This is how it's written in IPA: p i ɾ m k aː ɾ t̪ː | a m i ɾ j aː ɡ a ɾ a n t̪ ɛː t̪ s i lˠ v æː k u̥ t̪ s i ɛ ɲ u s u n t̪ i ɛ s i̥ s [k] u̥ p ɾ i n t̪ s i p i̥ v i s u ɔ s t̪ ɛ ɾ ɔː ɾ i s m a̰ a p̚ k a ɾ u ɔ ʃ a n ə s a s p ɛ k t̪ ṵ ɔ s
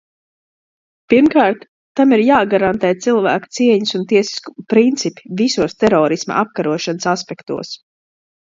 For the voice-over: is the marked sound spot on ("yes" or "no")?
yes